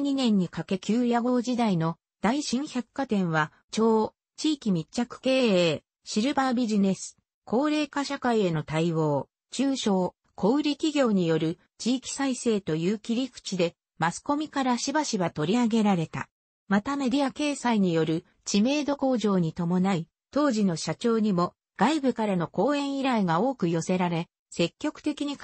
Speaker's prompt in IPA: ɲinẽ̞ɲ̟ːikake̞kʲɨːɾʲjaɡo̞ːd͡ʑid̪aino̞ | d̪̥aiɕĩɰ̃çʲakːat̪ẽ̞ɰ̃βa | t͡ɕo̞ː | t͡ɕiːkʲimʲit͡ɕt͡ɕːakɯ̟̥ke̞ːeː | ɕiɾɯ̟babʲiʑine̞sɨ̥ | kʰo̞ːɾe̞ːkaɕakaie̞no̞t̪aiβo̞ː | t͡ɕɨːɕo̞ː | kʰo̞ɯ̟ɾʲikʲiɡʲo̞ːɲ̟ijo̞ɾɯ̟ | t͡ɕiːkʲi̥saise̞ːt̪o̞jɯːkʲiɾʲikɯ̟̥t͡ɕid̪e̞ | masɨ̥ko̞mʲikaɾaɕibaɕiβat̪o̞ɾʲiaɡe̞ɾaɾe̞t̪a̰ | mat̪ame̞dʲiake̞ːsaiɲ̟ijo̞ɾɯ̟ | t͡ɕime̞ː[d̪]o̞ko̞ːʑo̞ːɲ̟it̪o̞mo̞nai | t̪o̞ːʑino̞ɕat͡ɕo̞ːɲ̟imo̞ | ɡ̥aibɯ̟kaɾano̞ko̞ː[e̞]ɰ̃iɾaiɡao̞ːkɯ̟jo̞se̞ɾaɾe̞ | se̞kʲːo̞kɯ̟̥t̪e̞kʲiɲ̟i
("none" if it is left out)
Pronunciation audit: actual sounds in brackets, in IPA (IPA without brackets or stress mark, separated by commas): d̪, ẽ̞